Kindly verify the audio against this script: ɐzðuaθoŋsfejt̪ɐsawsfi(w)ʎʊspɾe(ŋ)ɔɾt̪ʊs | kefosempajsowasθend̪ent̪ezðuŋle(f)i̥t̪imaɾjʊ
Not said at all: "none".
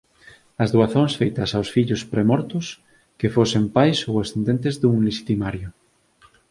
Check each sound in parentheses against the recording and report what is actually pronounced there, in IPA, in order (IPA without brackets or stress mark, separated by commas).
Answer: none, m, ʃ